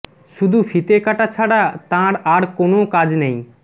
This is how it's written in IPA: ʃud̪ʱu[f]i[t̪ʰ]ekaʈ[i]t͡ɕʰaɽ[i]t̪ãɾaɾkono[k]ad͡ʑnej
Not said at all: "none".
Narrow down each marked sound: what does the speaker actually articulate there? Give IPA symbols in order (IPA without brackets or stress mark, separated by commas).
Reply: f, t̪, a, a, k